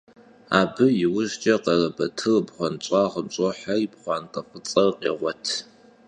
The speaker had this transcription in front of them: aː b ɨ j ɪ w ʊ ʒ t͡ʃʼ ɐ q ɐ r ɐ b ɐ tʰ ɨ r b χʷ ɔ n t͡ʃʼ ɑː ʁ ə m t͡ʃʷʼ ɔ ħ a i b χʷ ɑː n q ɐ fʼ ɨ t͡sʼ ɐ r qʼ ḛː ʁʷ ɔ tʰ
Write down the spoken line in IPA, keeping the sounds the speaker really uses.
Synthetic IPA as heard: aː b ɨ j ɪ w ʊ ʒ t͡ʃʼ ɐ q ɐ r ɐ b ɐ tʰ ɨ r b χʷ ɔ n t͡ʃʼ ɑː ʁ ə m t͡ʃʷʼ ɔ ħ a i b χʷ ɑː n q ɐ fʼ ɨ t͡sʼ ɐ r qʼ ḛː ʁʷ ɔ tʰ